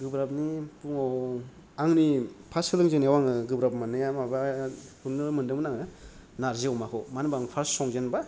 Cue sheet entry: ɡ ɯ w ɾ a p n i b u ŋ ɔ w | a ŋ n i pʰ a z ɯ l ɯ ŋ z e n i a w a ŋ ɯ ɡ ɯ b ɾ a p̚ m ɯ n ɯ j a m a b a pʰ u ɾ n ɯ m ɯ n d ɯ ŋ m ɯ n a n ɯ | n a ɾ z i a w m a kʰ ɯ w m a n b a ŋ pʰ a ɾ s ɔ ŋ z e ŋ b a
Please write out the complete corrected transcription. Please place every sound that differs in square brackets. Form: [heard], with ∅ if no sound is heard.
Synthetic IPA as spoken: ɡ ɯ [b] ɾ a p n i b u ŋ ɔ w | a ŋ n i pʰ a [s] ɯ l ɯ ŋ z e n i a w a ŋ ɯ ɡ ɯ b ɾ a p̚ m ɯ n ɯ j a m a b a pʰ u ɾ n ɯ m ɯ n d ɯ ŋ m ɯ n a [ŋ] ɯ | n a ɾ z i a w m a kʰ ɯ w m a n b a ŋ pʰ a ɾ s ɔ ŋ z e [n] b a